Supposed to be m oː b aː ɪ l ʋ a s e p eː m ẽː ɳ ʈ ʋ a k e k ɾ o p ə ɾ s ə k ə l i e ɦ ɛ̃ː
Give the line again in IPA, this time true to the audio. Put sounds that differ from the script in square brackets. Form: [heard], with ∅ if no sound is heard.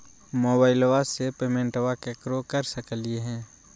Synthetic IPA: m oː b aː ɪ l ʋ a s e p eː m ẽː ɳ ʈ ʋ a k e k ɾ o [k] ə ɾ s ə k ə l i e ɦ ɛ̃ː